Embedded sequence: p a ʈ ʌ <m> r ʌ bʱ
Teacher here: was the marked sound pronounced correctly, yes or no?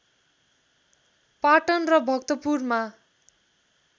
no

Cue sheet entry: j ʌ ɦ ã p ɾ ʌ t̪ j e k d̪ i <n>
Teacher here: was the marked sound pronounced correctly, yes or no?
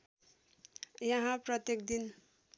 yes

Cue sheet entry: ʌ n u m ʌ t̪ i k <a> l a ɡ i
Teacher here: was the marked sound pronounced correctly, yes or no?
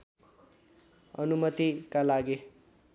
yes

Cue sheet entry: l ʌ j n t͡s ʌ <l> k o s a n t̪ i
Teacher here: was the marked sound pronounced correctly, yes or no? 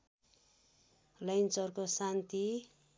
no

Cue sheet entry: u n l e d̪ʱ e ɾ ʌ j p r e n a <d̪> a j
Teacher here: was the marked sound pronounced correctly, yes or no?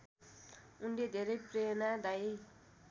yes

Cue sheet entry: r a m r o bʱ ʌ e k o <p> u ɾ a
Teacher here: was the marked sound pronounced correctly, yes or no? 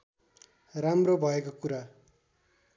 no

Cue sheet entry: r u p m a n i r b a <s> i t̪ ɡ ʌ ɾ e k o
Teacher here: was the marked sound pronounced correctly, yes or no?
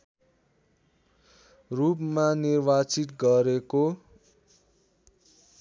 no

